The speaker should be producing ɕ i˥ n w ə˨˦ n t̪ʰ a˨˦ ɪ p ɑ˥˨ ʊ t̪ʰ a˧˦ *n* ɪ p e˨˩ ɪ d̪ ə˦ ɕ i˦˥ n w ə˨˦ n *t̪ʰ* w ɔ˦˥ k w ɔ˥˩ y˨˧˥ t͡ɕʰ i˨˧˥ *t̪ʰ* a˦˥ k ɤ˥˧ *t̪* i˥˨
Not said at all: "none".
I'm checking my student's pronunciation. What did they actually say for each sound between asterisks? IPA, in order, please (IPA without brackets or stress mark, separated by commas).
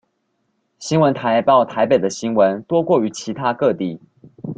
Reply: none, t̪, t̪ʰ, t̪